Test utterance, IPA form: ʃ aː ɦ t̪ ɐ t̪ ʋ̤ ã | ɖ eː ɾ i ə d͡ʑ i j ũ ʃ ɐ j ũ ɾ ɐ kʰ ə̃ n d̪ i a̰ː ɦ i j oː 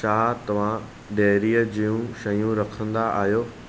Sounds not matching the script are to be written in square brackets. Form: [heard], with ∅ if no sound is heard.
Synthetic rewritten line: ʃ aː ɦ t̪ ɐ [∅] ʋ̤ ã | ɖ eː ɾ i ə d͡ʑ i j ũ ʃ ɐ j ũ ɾ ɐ kʰ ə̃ n d̪ [a] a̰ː ɦ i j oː